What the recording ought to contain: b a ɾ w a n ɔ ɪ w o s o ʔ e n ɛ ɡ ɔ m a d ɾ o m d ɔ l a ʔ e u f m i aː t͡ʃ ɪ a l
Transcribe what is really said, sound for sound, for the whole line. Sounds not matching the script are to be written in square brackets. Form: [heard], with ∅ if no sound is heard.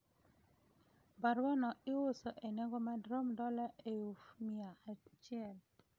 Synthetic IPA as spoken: b a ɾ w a n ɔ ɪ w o s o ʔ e n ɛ ɡ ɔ m a d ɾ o m d ɔ l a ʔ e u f m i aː t͡ʃ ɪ [ɛ] l